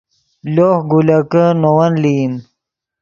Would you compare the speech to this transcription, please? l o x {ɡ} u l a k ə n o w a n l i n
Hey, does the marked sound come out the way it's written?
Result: yes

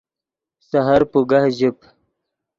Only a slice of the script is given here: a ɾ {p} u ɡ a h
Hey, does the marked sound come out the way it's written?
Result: yes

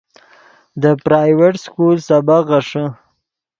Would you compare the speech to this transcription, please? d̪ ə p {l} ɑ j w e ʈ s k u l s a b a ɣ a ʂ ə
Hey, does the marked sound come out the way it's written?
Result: no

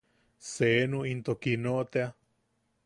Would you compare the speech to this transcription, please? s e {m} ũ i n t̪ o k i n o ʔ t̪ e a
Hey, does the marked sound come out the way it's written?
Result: no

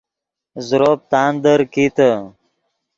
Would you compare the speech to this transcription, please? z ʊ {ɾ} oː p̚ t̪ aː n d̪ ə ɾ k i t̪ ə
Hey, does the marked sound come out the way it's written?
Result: yes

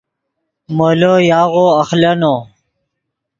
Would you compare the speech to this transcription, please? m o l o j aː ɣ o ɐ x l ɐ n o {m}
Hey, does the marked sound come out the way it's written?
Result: no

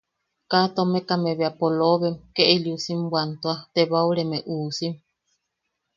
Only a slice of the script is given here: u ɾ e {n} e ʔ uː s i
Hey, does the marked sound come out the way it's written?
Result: no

